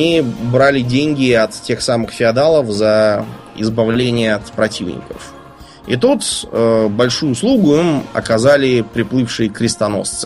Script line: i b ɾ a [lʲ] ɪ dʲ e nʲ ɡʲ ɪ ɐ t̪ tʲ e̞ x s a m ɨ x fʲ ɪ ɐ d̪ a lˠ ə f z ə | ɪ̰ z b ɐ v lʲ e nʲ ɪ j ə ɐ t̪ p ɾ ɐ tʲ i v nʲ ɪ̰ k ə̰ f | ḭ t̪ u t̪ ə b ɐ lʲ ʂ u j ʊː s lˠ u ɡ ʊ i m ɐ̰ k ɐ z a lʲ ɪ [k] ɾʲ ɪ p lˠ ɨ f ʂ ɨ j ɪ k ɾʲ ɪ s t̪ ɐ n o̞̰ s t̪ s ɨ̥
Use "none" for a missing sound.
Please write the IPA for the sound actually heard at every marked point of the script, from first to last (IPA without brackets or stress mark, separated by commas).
lʲ, p